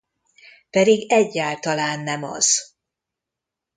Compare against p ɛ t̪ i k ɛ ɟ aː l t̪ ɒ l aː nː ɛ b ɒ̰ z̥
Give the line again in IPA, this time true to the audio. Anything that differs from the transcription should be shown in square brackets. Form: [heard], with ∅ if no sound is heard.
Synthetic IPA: p ɛ [d̪] i [ɡ] ɛ [ɟː] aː l t̪ ɒ l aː nː ɛ [m] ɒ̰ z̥

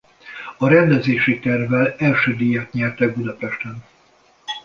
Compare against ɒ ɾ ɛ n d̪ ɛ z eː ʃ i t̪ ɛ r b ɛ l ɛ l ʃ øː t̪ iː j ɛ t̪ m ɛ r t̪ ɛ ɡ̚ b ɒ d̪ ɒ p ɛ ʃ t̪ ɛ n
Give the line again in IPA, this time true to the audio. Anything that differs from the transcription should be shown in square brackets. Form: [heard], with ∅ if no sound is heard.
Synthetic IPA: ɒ ɾ ɛ n d̪ ɛ z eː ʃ i t̪ ɛ r [v] ɛ l ɛ l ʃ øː [d̪] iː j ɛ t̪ [ɲ] ɛ r t̪ ɛ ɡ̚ b [u] d̪ ɒ p ɛ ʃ t̪ ɛ n

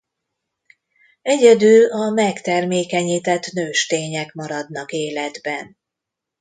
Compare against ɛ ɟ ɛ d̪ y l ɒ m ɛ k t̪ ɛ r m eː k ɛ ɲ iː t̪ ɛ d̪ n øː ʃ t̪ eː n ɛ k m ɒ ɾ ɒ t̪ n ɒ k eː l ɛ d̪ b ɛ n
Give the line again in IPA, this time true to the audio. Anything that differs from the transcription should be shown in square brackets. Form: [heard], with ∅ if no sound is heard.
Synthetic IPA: ɛ ɟ ɛ d̪ y l ɒ m ɛ k t̪ ɛ r m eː k ɛ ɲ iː t̪ ɛ [t̪] n øː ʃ t̪ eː [ɲ] ɛ k m ɒ ɾ ɒ [d̪] n ɒ k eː l ɛ d̪ b ɛ n

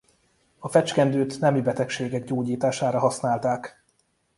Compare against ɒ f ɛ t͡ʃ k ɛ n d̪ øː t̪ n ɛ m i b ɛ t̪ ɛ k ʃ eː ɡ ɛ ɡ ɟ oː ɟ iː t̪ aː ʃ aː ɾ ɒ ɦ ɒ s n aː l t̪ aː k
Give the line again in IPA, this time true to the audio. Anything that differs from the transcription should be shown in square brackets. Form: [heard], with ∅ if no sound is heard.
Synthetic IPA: ɒ f ɛ t͡ʃ k ɛ n d̪ øː t̪ n ɛ m i b ɛ t̪ ɛ k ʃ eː ɡ ɛ ɡ ɟ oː ɟ iː t̪ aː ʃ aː ɾ ɒ ɦ ɒ s n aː l t̪ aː k

